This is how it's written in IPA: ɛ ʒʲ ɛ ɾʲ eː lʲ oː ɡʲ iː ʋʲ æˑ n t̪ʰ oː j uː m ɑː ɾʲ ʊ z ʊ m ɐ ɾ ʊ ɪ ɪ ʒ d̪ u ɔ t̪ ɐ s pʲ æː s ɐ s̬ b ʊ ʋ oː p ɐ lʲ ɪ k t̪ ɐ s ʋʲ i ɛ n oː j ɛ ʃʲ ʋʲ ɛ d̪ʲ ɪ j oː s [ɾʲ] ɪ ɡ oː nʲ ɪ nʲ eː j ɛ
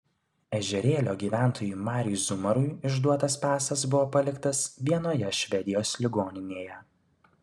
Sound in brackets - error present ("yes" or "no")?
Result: yes